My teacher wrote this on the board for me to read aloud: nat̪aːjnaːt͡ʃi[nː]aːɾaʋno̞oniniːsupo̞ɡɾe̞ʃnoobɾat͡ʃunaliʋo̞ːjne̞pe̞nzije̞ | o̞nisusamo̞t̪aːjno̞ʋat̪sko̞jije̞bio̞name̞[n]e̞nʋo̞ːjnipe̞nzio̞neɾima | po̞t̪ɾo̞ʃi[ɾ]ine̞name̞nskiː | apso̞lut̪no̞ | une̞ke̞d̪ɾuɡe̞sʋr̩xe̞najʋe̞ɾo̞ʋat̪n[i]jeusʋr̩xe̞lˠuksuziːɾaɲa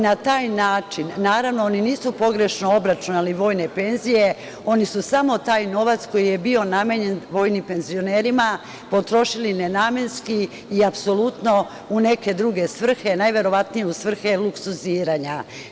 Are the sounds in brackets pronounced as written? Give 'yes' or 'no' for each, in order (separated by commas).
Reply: yes, no, no, yes